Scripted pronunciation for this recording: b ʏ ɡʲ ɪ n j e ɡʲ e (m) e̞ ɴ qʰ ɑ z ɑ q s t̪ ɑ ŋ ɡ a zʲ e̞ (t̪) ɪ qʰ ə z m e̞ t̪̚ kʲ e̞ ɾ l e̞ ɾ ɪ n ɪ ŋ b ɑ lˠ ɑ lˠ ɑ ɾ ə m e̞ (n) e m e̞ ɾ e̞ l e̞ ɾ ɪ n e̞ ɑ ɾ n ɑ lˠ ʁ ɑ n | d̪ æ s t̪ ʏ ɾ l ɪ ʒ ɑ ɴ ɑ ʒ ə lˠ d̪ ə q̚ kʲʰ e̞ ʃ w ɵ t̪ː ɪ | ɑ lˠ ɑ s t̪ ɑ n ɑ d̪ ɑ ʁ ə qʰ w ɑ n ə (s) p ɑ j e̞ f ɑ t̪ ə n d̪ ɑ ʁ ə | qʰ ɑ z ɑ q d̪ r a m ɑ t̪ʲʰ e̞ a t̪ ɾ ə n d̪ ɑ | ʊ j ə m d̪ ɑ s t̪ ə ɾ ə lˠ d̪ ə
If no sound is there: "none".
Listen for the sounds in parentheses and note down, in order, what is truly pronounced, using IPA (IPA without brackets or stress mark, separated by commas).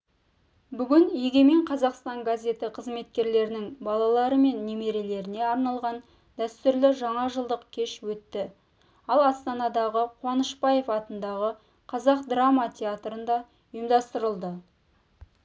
m, t̪, nː, ʃ